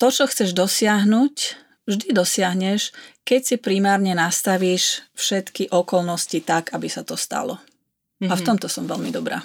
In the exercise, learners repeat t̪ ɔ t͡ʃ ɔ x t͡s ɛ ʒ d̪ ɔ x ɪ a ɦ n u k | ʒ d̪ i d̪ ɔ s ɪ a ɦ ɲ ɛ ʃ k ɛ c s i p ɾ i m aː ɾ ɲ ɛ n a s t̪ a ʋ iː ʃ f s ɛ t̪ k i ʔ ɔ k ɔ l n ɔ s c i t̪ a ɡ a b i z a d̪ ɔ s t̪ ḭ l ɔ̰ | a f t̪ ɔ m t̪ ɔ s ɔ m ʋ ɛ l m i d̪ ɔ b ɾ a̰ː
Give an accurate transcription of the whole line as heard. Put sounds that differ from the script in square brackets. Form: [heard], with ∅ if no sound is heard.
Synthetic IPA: t̪ ɔ t͡ʃ ɔ x t͡s ɛ ʒ d̪ ɔ [s] ɪ a ɦ n u [c] | ʒ d̪ i d̪ ɔ s ɪ a ɦ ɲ ɛ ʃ k ɛ c s i p ɾ i m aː ɾ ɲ ɛ n a s t̪ a ʋ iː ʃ f [ʃ] ɛ t̪ k i ʔ ɔ k ɔ l n ɔ s c i t̪ a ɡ a b i [s] a [t̪] ɔ s t̪ [a̰] l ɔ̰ | a f t̪ ɔ m t̪ ɔ s ɔ m ʋ ɛ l m i d̪ ɔ b ɾ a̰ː